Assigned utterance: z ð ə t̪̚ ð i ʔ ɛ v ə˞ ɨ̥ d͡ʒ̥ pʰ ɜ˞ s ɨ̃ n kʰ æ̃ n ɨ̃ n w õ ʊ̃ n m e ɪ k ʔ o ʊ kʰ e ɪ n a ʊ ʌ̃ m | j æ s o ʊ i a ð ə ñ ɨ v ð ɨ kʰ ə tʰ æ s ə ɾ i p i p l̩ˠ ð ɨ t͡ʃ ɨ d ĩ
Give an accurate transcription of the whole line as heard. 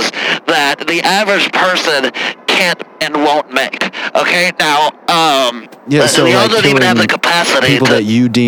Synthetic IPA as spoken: z ð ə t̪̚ ð i ʔ æ v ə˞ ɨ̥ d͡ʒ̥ pʰ ɜ˞ s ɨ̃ n kʰ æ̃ n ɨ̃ n w õ ʊ̃ n m e ɪ k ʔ o ʊ kʰ e ɪ n a ʊ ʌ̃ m | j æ s o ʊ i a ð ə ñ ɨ v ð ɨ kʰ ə pʰ æ s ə ɾ i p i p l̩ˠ ð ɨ t͡ʃ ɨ d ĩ